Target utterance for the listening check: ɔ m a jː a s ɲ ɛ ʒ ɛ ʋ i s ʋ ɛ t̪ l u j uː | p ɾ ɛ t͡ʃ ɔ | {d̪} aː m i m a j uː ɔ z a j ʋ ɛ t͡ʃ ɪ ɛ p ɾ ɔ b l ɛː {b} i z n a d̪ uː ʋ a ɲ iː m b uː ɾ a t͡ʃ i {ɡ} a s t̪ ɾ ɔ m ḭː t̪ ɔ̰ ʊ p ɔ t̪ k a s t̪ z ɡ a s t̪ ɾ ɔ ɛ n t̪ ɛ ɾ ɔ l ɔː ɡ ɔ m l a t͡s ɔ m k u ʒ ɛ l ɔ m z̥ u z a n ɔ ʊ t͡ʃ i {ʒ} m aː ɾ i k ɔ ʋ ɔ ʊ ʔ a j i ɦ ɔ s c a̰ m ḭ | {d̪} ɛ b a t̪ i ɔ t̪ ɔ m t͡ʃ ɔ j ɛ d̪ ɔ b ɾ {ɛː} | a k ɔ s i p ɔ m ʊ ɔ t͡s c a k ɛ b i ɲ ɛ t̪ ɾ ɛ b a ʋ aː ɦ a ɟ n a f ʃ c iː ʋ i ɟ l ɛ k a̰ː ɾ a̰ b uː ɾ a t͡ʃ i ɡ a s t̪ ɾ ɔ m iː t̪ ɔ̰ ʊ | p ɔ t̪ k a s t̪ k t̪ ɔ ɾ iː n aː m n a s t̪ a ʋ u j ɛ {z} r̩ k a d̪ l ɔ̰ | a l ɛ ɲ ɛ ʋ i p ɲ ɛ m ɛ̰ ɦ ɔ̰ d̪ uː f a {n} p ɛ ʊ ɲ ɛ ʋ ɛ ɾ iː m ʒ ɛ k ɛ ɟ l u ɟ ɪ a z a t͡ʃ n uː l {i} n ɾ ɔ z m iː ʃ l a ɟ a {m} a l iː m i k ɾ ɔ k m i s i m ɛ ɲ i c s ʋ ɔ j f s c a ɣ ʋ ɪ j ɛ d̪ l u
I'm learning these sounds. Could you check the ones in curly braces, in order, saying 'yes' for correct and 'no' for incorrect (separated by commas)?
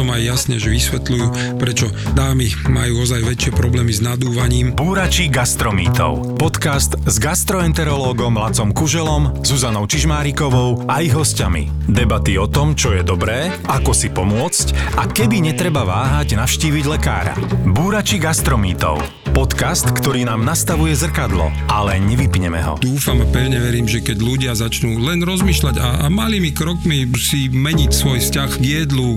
yes, no, yes, yes, yes, yes, yes, no, no, yes